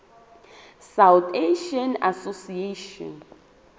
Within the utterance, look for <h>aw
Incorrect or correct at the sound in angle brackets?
incorrect: s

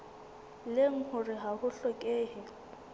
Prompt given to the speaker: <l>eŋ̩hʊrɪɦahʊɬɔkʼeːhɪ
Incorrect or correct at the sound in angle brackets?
correct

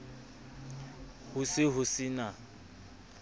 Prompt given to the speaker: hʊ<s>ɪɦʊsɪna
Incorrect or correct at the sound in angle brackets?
correct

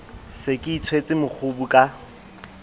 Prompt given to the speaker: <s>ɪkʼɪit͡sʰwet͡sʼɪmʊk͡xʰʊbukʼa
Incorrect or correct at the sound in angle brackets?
correct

